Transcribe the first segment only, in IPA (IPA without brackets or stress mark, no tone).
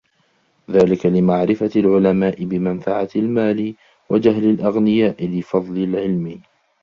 ð